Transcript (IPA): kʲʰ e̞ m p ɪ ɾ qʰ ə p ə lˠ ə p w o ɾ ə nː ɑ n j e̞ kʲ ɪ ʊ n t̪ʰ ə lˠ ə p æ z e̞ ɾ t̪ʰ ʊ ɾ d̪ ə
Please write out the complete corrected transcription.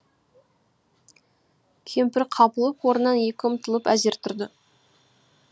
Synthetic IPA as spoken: kʲʰ e̞ m p ɪ ɾ qʰ ɑ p ə lˠ ə p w o ɾ ə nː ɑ n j e̞ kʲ ɪ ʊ m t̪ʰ ə lˠ ə p æ z e̞ ɾ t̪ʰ ʊ ɾ d̪ ə